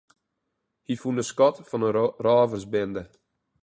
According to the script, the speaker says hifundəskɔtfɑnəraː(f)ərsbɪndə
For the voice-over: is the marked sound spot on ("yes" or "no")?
no